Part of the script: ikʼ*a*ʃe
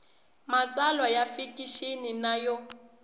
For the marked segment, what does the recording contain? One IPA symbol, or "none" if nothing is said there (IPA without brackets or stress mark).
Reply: i